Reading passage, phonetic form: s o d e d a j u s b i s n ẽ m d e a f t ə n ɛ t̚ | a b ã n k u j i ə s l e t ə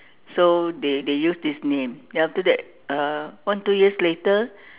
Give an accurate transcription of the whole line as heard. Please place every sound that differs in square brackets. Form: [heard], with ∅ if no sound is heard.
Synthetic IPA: s o d e d [e] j u s [d] i s n ẽ m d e a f t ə [d] ɛ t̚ | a [w] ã n [t] u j i ə s l e t ə